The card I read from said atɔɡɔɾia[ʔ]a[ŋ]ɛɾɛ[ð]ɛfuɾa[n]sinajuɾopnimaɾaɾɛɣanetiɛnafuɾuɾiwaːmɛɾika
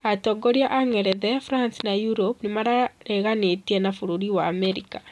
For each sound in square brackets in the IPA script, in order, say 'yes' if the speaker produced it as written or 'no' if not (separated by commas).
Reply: yes, yes, yes, yes